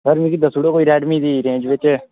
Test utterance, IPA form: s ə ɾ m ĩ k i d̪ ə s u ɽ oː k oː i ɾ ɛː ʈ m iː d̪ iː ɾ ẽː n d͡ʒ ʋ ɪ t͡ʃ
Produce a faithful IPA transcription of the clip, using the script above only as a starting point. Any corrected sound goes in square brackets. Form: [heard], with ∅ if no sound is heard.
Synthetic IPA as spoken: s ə ɾ m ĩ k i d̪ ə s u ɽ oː k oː i ɾ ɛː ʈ m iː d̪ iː ɾ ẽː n d͡ʒ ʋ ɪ t͡ʃ